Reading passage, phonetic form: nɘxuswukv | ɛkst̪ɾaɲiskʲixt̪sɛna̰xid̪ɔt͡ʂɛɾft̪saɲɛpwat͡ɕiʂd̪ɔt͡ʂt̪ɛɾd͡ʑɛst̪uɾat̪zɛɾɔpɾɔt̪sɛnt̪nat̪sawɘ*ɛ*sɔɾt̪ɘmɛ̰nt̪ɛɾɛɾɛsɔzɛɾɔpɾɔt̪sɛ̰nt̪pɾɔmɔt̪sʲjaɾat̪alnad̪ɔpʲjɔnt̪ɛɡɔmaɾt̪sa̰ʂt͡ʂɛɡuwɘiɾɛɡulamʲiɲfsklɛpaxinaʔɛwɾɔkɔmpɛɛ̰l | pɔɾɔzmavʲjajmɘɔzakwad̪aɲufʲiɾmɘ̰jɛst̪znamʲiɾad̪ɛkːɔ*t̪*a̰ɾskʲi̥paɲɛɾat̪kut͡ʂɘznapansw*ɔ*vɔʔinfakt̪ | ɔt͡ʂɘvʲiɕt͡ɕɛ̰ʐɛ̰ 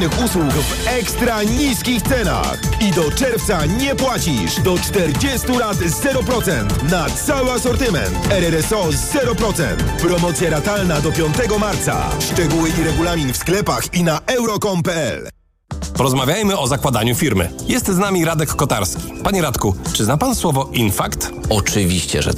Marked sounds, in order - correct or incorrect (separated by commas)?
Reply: incorrect, correct, correct